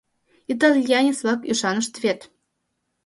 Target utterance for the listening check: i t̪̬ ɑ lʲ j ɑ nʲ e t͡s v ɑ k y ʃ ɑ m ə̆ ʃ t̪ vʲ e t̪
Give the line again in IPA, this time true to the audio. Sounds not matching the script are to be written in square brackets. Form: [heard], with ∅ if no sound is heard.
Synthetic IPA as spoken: i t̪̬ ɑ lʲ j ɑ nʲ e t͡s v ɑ k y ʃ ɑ [n] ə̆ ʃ t̪ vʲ e t̪